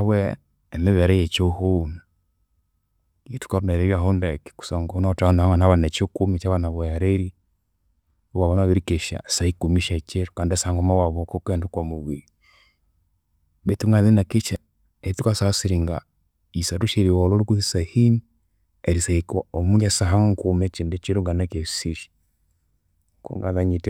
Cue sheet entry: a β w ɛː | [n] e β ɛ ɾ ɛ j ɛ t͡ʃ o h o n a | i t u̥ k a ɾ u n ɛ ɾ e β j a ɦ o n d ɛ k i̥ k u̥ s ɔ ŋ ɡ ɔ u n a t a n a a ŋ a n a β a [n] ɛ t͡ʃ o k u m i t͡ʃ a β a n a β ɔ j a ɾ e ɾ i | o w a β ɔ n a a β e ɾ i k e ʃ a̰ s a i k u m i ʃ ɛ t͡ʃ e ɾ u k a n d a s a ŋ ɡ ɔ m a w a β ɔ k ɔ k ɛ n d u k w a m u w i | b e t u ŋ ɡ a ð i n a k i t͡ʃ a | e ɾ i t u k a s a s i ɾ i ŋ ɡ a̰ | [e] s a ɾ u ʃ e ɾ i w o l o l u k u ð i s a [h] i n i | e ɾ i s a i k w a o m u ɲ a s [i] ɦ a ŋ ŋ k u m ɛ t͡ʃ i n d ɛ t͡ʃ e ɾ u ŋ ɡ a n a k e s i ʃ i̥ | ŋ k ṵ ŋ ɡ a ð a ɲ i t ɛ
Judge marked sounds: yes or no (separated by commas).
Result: no, yes, no, yes, no